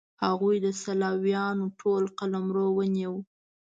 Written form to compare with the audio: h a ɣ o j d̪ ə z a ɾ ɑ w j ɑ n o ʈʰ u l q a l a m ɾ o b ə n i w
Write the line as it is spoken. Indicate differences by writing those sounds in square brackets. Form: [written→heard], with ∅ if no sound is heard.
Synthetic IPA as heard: h a ɣ [o→u] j d̪ ə [z→s] a [ɾ→l] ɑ w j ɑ n o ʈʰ [u→o] l q a l a m ɾ o [b→w] ə n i w